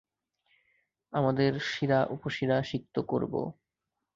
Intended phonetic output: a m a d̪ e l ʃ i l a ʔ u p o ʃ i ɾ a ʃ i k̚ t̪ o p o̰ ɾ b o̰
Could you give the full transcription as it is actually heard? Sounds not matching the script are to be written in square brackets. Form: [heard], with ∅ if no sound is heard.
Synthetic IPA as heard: a m a d̪ e [ɾ] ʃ i [ɾ] a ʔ u p o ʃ i ɾ a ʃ i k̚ t̪ o [k] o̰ ɾ b o̰